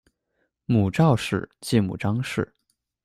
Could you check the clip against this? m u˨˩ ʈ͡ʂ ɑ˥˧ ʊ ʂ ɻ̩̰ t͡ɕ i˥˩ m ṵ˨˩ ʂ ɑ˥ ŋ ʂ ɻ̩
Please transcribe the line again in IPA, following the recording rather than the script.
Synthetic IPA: m u˨˩ ʈ͡ʂ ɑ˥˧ ʊ ʂ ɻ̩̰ t͡ɕ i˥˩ m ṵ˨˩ ʈ͡ʂ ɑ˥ ŋ ʂ ɻ̩